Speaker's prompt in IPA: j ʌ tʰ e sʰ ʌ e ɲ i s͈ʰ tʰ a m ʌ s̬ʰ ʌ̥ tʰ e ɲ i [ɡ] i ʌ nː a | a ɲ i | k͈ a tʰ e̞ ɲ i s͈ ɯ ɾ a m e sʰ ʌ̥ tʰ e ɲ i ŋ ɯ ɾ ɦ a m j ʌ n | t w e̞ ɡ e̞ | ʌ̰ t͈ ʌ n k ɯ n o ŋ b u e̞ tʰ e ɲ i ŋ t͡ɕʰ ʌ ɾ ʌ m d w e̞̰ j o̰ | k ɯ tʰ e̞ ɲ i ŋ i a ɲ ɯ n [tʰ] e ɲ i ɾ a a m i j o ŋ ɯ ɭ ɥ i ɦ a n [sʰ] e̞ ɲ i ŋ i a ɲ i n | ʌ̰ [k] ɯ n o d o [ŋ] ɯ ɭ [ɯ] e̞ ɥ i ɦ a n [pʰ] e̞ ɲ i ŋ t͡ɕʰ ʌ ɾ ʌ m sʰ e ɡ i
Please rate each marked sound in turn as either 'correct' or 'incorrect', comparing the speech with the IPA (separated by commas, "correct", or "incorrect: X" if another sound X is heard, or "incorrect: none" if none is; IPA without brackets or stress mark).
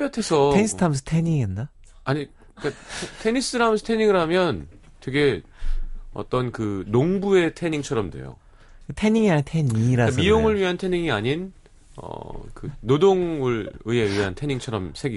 incorrect: ŋ, correct, incorrect: tʰ, correct, correct, correct, incorrect: tʰ